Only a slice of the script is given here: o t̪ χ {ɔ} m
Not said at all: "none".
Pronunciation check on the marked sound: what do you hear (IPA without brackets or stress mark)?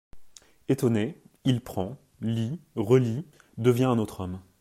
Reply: ɔ